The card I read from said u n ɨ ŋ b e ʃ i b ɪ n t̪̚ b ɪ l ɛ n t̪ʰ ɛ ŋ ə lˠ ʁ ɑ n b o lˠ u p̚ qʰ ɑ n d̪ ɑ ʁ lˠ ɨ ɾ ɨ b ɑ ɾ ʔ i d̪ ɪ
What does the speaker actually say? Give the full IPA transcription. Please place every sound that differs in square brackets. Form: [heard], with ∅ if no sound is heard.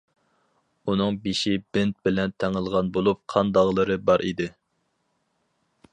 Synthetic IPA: u n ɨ ŋ b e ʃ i b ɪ n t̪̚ b ɪ l ɛ n t̪ʰ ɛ ŋ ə lˠ ʁ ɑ n b o lˠ u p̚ qʰ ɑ n d̪ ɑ ʁ lˠ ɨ ɾ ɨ b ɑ ɾ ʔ i d̪ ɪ